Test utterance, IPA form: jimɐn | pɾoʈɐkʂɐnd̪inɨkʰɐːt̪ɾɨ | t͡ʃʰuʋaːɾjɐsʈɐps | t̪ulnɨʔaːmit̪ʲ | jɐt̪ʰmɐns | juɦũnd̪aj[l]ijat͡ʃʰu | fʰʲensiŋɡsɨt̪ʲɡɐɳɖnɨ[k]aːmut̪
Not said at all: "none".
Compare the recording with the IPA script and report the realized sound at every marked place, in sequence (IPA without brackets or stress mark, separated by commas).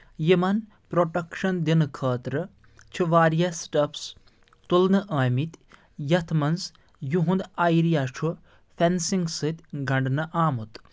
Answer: ɾ, ʔ